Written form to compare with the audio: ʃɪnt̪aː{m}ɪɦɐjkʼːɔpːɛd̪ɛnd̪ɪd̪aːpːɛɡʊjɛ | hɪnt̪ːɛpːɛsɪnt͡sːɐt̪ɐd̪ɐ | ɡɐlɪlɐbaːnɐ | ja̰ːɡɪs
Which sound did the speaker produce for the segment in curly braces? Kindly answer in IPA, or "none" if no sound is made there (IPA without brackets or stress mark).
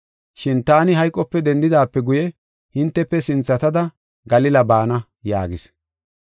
n